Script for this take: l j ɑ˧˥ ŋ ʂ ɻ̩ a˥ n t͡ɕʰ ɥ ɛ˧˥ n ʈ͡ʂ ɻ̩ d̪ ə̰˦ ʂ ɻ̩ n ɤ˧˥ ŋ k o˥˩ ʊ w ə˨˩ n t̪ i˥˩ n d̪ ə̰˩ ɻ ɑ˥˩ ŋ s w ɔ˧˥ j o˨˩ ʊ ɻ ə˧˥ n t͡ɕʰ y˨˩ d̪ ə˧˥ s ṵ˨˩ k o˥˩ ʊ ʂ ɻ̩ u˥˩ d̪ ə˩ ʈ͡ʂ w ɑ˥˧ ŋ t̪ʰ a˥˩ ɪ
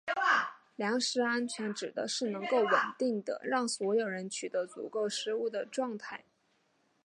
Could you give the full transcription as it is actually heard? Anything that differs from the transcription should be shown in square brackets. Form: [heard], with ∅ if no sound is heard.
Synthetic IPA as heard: l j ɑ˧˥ ŋ ʂ ɻ̩ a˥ n t͡ɕʰ ɥ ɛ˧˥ n ʈ͡ʂ ɻ̩ d̪ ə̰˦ ʂ ɻ̩ n ɤ˧˥ ŋ k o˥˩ ʊ w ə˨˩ n t̪ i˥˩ [ŋ] d̪ ə̰˩ ɻ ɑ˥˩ ŋ s w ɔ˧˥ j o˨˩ ʊ ɻ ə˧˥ n t͡ɕʰ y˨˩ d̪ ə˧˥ [t͡s] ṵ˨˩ k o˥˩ ʊ ʂ ɻ̩ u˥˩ d̪ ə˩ ʈ͡ʂ w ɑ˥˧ ŋ t̪ʰ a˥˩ ɪ